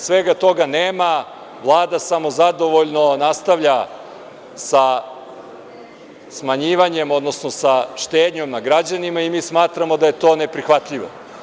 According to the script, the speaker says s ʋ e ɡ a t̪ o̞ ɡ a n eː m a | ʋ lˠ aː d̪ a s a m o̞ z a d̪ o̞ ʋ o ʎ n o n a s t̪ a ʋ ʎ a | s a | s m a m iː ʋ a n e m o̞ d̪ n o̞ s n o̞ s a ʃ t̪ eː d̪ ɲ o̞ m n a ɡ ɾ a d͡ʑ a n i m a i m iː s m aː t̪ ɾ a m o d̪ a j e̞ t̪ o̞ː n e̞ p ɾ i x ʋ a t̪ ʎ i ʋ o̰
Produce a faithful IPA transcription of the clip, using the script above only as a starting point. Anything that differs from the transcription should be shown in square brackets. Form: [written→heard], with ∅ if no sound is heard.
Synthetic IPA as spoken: s ʋ e ɡ a t̪ o̞ ɡ a n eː m a | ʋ lˠ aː d̪ a s a m o̞ z a d̪ o̞ ʋ o ʎ n o n a s t̪ a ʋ ʎ a | s a | s m a [m→ɲ] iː ʋ a [n→ɲ] e m o̞ d̪ n o̞ s n o̞ s a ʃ t̪ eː d̪ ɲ o̞ m n a ɡ ɾ a d͡ʑ a n i m a i m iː s m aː t̪ ɾ a m o d̪ a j e̞ t̪ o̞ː n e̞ p ɾ i x ʋ a t̪ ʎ i ʋ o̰